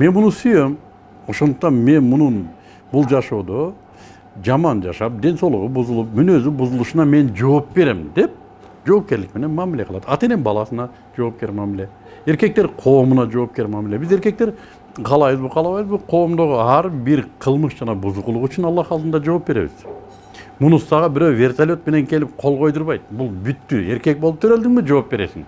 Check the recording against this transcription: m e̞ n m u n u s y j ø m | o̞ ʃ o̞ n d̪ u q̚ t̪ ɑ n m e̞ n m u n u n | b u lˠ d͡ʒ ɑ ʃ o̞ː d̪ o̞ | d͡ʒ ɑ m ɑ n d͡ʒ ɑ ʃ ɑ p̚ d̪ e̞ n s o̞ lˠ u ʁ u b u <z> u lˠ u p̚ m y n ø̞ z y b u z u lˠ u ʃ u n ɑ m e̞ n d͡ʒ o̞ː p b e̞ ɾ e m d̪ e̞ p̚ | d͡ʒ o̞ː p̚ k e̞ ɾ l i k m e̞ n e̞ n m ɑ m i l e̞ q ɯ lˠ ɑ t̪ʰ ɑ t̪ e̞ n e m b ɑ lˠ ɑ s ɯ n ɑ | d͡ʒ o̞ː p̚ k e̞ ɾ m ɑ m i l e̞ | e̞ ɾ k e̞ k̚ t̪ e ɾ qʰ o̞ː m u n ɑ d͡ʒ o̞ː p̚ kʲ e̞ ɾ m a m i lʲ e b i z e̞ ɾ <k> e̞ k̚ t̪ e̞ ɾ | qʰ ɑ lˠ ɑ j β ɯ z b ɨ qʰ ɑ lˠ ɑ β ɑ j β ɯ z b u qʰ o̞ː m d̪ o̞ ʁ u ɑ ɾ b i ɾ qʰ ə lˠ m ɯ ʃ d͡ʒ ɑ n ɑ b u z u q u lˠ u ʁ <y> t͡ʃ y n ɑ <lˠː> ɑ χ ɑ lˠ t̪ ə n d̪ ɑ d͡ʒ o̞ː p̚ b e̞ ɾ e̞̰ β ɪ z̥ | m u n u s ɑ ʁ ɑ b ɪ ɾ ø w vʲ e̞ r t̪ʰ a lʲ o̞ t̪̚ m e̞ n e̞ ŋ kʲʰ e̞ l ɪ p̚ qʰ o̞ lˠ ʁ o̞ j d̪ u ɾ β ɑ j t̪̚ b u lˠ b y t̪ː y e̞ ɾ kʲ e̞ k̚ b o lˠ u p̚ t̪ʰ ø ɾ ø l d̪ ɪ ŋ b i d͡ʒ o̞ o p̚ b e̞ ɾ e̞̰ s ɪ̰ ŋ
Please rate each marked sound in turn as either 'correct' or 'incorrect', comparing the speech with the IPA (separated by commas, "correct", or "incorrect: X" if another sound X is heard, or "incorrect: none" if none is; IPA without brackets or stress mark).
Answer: correct, correct, correct, correct